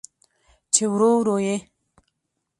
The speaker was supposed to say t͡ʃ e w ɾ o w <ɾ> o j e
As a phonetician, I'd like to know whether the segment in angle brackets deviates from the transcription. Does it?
no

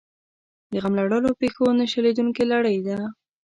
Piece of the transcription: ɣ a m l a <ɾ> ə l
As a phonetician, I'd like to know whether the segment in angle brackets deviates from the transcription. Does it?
yes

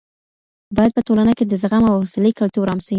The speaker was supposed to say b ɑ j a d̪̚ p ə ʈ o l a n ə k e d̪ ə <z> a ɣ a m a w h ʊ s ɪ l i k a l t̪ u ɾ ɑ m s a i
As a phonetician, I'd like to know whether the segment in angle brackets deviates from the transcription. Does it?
no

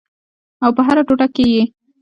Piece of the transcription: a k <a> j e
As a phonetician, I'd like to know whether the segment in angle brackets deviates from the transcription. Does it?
yes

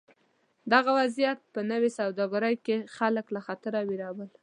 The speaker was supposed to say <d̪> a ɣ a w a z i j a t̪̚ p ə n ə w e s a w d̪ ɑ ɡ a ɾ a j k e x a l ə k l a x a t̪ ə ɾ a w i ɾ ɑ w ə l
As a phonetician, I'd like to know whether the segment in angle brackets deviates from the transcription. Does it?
no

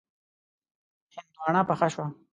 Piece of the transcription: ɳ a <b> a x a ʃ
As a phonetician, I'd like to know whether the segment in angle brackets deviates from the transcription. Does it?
yes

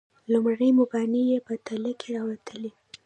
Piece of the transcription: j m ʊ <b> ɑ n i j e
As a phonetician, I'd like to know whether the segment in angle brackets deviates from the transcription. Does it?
no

